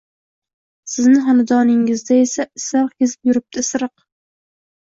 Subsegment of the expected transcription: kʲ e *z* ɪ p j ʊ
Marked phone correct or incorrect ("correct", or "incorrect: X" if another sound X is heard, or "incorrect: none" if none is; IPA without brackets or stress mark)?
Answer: correct